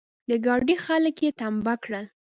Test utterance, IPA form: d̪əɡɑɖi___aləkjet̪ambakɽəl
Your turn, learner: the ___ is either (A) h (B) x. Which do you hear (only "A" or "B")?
B